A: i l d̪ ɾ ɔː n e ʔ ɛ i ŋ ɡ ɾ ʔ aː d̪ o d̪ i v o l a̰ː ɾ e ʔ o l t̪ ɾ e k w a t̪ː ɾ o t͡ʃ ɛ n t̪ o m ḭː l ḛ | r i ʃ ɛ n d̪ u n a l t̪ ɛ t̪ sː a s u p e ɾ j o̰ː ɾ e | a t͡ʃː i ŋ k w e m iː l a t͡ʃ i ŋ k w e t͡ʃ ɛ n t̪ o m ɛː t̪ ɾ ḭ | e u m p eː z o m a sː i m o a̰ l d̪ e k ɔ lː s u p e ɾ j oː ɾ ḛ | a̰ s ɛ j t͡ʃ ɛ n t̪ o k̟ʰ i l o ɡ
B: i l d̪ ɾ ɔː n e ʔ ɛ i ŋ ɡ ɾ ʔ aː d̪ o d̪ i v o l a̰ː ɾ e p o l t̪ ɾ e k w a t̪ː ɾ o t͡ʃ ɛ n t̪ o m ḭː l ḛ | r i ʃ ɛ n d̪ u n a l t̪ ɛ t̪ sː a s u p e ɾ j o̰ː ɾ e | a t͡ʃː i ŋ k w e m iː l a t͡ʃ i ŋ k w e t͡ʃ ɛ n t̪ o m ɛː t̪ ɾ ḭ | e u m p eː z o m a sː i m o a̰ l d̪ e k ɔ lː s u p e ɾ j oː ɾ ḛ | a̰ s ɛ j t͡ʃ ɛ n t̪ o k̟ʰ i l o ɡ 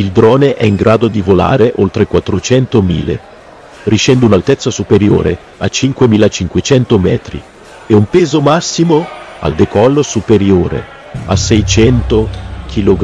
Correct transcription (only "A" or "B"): A